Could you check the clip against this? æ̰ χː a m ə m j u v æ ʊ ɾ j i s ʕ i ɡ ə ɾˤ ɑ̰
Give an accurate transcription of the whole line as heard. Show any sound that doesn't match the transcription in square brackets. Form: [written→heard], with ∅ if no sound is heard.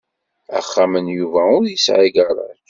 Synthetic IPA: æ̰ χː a m ə [m→n] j u v æ ʊ ɾ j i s ʕ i ɡ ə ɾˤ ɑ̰